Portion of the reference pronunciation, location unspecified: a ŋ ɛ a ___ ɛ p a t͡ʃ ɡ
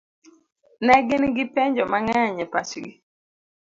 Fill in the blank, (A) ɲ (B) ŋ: A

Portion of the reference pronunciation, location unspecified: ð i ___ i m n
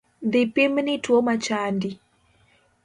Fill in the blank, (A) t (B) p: B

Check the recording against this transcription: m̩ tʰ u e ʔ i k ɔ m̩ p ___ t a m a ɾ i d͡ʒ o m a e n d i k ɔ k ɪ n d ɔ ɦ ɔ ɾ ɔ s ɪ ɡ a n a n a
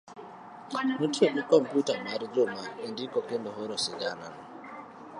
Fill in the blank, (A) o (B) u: B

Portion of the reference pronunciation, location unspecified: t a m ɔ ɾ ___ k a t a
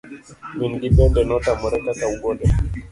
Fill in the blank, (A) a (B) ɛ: B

